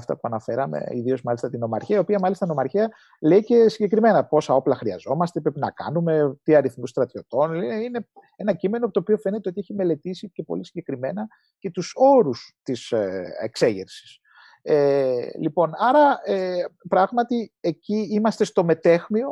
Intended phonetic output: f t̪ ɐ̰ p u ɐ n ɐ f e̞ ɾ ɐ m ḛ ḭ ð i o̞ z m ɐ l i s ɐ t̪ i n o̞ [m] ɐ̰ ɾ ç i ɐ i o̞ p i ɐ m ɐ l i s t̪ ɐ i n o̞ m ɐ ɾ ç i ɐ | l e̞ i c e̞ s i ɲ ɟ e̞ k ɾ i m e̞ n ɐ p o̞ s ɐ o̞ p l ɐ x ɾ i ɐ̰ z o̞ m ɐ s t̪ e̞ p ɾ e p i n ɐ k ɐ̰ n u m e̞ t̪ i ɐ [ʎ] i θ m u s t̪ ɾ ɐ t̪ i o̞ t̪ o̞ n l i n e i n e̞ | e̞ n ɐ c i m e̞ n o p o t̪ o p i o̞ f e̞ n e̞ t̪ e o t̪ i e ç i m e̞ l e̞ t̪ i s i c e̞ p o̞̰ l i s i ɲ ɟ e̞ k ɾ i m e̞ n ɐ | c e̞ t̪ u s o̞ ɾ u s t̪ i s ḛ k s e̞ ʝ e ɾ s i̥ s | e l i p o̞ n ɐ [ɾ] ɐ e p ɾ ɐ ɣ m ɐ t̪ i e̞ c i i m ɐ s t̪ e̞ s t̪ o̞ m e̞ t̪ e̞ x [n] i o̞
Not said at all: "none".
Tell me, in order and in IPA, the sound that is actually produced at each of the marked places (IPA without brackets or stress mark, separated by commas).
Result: m, ɾ, ɾ, m